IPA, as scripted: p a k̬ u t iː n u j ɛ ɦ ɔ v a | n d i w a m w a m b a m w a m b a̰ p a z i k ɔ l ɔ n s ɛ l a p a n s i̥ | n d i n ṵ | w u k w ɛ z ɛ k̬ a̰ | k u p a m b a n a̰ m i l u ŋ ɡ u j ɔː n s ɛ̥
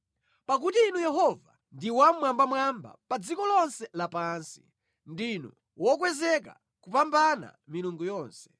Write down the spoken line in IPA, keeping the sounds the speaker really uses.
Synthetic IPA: p a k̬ u t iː n u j ɛ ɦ ɔ v a | n d i w a m w a m b a m w a m b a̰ p a d͡z i k ɔ l ɔ n s ɛ l a p a n s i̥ | n d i n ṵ | w ɔ k w ɛ z ɛ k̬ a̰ | k u p a m b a n a̰ m i l u ŋ ɡ u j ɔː n s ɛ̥